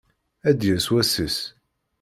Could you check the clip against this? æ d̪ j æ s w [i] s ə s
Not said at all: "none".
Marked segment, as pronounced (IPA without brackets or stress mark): æ